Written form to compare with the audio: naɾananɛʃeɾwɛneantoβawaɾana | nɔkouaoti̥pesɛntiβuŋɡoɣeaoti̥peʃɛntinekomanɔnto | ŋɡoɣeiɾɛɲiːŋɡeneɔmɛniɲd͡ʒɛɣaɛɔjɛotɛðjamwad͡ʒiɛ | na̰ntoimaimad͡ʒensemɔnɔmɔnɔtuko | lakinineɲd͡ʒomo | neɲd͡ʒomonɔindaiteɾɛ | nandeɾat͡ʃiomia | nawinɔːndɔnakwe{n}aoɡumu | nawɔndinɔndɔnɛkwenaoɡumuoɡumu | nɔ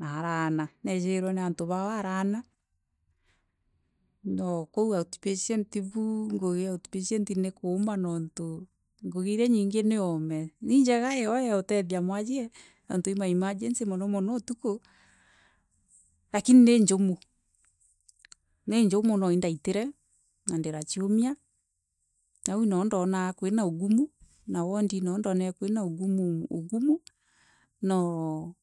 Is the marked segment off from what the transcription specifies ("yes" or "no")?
no